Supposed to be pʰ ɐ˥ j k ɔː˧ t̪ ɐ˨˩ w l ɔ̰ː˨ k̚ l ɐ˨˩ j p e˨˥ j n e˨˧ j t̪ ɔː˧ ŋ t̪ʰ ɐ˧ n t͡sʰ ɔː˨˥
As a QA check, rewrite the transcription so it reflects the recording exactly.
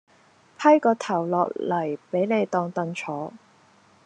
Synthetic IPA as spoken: pʰ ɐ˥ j k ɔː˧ t̪ʰ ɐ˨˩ w l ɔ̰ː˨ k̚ l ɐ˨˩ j p e˨˥ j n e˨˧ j t̪ ɔː˧ ŋ t̪ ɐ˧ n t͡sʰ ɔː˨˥